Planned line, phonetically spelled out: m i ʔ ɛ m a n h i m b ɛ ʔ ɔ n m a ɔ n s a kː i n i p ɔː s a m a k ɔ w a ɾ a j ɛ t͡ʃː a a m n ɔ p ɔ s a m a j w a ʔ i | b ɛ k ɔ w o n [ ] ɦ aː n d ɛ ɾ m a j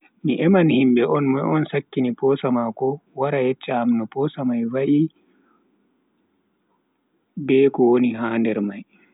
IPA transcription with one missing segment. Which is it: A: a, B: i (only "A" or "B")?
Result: B